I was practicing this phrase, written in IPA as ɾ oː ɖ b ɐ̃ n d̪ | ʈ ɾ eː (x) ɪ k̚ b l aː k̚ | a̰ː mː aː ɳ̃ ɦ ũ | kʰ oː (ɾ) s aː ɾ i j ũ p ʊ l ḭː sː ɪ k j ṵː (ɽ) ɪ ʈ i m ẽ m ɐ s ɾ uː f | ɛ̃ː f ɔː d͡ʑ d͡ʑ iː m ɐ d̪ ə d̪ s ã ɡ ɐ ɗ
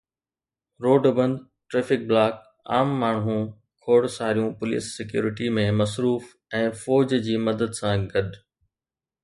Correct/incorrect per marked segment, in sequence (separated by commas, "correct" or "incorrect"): incorrect, incorrect, incorrect